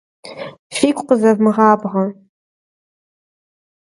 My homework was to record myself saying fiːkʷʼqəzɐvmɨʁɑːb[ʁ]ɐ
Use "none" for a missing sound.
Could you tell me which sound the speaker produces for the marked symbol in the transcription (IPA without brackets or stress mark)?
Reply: ʁ